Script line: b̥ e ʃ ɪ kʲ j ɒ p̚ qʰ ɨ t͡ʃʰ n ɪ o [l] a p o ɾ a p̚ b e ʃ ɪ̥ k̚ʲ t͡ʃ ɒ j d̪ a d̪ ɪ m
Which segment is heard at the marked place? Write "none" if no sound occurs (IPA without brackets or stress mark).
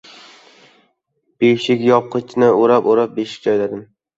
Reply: ɾ